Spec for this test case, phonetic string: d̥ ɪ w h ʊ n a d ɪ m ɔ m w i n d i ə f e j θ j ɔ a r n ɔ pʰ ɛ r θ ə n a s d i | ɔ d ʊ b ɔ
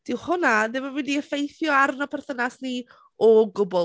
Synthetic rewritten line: d̥ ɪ w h ʊ n a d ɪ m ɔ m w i n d i ə f e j θ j ɔ a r n ɔ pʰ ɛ r θ ə n a s n i | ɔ ɡ ʊ b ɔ